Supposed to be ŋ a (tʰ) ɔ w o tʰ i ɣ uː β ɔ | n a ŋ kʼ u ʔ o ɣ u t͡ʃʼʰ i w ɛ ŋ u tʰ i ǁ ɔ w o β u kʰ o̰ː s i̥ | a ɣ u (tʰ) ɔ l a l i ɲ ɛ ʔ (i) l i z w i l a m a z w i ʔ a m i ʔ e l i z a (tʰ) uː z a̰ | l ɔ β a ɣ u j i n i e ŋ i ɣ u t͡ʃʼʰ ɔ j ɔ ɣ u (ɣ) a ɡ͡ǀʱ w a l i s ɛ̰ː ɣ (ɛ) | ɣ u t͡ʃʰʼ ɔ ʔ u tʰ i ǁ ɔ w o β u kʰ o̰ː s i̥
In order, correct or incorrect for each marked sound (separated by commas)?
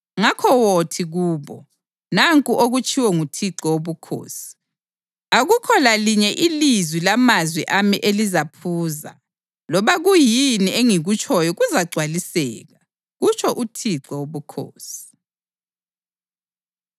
incorrect, incorrect, correct, incorrect, incorrect, incorrect